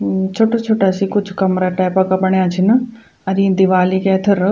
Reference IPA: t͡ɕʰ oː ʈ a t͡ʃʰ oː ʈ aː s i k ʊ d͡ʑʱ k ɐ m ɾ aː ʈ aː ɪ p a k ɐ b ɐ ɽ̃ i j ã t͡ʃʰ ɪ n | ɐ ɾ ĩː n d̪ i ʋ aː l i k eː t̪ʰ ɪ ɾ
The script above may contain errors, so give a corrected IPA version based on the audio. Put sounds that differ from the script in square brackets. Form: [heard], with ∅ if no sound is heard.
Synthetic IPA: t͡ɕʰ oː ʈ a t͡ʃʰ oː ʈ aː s i k ʊ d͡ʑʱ k ɐ m ɾ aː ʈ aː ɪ p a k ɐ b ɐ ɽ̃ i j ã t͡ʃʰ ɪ n | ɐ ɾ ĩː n d̪ i ʋ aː l i k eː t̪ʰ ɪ ɾ